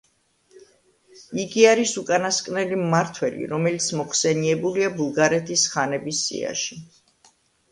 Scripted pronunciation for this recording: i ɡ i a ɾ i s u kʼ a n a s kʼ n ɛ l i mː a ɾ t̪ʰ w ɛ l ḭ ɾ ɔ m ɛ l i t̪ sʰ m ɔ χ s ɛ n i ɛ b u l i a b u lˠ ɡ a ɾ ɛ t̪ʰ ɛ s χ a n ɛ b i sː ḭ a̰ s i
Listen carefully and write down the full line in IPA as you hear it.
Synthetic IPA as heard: i ɡ i a ɾ i s u kʼ a n a s kʼ n ɛ l i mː a ɾ t̪ʰ w ɛ l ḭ ɾ ɔ m ɛ l i t̪ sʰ m ɔ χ s ɛ n i ɛ b u l i a b u lˠ ɡ a ɾ ɛ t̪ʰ i s χ a n ɛ b i sː ḭ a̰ ʃ i